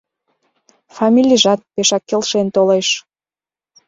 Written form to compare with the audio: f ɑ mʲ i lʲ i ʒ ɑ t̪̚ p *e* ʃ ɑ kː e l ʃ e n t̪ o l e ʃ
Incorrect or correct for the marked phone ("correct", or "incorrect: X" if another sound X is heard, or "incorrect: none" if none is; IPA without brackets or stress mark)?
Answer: correct